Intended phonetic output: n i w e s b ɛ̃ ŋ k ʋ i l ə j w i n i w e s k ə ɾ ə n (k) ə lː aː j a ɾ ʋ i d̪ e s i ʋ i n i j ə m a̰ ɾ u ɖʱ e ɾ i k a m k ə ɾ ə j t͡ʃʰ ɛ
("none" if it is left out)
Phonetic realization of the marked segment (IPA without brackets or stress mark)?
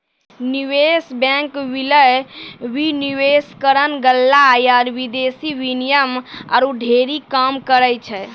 ɡ